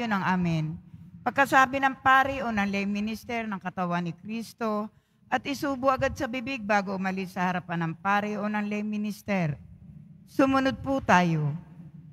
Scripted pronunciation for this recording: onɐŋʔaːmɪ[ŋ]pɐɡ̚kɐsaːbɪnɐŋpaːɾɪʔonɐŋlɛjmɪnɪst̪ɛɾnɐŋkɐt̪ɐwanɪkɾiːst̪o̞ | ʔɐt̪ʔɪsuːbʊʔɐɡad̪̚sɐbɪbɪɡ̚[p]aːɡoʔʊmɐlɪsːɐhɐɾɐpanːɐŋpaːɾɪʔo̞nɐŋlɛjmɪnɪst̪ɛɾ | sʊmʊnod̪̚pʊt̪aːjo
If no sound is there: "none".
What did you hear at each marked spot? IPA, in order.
n, b

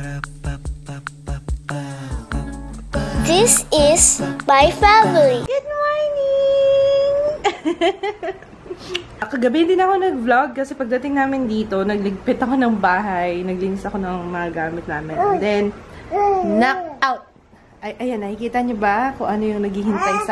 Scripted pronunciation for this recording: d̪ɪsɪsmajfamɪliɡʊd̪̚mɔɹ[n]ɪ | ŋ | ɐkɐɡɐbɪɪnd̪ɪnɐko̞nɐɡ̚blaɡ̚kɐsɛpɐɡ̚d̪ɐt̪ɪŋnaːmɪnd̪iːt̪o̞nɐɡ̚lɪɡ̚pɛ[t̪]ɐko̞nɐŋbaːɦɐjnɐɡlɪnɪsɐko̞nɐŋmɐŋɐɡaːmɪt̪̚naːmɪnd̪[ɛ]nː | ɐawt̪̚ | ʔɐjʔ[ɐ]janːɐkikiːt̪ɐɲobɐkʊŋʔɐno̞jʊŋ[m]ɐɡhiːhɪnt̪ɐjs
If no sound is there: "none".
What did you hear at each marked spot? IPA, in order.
n, t̪, ɛ, ɐ, n

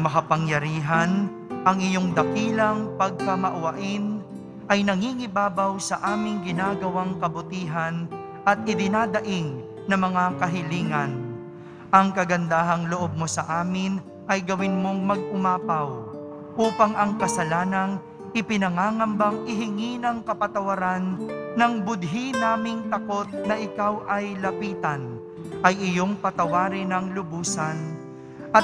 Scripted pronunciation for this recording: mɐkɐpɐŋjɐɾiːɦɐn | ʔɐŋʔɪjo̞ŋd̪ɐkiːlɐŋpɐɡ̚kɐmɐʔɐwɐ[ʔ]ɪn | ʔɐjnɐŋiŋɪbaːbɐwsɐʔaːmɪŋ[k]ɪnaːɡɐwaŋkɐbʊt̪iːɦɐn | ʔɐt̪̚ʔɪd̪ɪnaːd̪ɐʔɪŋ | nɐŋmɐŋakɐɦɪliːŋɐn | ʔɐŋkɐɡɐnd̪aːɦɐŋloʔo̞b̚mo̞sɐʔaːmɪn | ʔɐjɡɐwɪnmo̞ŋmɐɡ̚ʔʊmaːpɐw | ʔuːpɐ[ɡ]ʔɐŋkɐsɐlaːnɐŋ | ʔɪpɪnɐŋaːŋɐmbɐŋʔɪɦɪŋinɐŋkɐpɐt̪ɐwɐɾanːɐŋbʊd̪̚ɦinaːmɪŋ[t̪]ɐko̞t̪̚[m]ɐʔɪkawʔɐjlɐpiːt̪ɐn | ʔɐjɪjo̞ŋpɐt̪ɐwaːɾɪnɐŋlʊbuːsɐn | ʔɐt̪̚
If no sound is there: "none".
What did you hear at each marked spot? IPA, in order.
ʔ, ɡ, ŋ, t̪, n

